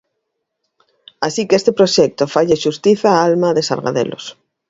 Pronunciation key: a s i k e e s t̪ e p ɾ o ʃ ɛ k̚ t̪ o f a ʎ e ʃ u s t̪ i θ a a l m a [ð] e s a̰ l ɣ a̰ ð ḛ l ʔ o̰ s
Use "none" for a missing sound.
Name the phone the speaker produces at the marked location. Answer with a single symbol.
ð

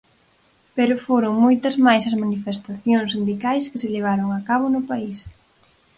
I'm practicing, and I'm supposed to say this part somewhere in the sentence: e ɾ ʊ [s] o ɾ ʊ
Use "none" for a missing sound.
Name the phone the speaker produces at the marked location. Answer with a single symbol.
f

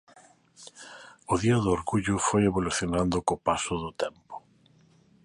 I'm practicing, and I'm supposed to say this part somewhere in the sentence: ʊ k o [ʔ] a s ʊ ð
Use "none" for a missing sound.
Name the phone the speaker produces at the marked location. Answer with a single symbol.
p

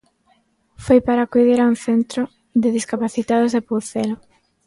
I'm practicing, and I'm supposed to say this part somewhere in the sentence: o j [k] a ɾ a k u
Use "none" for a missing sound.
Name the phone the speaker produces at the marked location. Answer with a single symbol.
p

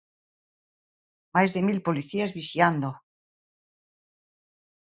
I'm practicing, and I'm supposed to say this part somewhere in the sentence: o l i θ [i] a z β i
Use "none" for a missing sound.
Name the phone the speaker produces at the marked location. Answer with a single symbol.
i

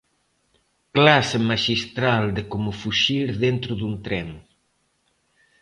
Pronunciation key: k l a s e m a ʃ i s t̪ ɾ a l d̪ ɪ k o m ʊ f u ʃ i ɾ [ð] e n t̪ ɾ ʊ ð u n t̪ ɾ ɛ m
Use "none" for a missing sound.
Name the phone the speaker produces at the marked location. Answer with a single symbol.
ð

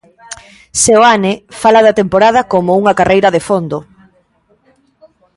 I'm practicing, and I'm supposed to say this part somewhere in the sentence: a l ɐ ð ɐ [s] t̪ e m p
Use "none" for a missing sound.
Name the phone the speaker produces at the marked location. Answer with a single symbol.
none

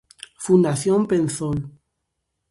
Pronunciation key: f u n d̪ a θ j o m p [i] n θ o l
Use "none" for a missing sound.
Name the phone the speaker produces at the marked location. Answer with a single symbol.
e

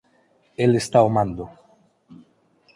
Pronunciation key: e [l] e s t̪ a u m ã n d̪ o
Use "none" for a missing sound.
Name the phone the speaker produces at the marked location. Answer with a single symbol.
l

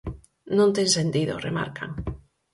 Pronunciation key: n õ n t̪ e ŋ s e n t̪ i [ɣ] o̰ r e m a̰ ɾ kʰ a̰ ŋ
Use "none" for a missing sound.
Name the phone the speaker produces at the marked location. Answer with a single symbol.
ð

